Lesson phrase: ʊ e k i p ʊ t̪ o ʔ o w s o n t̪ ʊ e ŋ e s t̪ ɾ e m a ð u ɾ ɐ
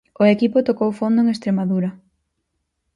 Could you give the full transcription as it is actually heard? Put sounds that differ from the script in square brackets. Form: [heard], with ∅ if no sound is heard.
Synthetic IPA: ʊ e k i p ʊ t̪ o [k] o w [f] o n [d̪] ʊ e ŋ e s t̪ ɾ e m a ð u ɾ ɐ